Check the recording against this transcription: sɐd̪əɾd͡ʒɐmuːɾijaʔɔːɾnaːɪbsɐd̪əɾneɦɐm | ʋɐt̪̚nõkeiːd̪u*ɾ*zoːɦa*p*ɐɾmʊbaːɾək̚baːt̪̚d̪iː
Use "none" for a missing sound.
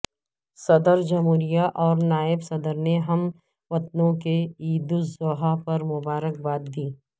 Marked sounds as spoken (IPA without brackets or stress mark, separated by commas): none, p